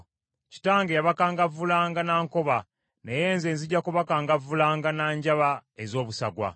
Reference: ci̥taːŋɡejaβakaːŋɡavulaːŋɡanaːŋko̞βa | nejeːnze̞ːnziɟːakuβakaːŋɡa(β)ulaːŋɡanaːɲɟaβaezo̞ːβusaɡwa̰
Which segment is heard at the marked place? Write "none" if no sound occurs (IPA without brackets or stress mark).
v